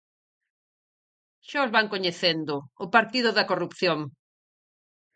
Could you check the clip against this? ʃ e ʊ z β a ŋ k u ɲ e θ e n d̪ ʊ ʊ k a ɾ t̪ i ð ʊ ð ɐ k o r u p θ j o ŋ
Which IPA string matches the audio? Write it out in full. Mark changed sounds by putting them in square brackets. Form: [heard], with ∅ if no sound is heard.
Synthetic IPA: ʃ [a] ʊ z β a ŋ k [o] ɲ e θ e n d̪ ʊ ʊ [p] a ɾ t̪ i ð ʊ ð ɐ k o r u p θ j o ŋ